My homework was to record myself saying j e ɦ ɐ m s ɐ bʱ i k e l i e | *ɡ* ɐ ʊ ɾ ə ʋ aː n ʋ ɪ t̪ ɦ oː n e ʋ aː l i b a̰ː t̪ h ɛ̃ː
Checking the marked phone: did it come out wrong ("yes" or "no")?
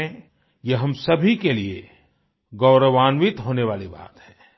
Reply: no